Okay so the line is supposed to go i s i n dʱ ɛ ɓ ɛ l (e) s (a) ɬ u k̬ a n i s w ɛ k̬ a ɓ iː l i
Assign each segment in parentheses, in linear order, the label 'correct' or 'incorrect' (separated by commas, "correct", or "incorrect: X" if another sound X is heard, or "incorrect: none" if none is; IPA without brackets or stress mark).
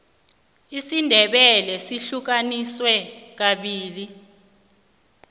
incorrect: ɛ, incorrect: i